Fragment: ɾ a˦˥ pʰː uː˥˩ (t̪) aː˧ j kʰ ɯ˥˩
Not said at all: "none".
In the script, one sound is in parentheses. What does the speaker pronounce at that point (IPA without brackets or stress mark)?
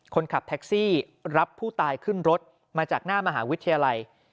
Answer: t̪